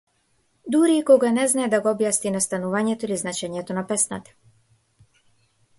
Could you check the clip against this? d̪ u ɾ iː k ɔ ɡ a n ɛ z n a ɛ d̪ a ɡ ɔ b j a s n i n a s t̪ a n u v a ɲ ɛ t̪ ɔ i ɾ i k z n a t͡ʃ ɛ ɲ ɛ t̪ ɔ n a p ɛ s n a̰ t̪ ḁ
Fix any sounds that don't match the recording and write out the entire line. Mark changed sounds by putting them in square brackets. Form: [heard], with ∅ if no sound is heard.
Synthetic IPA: d̪ u ɾ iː k ɔ ɡ a n ɛ z n a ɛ d̪ a ɡ ɔ b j a s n i n a s t̪ a n u v a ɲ ɛ t̪ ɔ i [l] i [∅] z n a t͡ʃ ɛ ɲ ɛ t̪ ɔ n a p ɛ s n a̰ t̪ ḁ